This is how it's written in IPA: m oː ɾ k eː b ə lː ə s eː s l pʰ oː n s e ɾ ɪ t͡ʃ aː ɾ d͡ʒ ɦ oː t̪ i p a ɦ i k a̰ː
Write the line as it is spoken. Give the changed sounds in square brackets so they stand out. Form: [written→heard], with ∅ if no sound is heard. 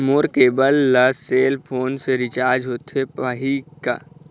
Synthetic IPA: m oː ɾ k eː b ə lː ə s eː [s→∅] l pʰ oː n s e ɾ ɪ t͡ʃ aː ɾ d͡ʒ ɦ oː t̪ [i→e] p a ɦ i k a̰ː